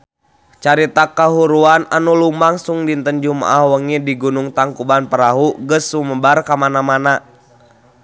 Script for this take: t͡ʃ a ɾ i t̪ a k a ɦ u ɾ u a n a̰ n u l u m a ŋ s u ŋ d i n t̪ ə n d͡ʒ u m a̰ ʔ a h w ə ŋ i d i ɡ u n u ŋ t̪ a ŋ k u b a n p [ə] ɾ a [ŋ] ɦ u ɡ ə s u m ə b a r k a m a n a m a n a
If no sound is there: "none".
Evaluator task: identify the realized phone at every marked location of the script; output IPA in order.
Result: ə, none

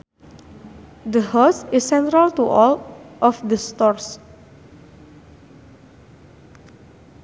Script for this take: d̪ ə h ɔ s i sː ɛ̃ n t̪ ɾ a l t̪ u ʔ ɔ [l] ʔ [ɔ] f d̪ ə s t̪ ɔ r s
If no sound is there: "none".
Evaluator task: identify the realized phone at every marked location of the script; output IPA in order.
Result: l, ɔ

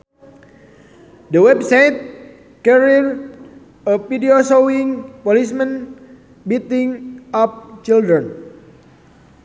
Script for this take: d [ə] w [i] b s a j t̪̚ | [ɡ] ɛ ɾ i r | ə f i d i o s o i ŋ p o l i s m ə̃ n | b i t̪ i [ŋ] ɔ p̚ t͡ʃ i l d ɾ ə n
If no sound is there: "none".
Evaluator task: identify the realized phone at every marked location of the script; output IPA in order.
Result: ə, ɛ, k, ŋ

